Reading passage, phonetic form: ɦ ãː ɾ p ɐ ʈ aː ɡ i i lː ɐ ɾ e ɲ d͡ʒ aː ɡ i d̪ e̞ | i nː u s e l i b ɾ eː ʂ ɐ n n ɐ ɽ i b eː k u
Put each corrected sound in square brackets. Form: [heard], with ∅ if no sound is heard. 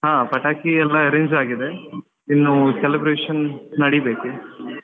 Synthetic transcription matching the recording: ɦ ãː [∅] p ɐ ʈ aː [k] i [ɛ] lː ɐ ɾ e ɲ d͡ʒ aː ɡ i d̪ e̞ | i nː u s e l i b ɾ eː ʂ ɐ n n ɐ ɽ i b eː k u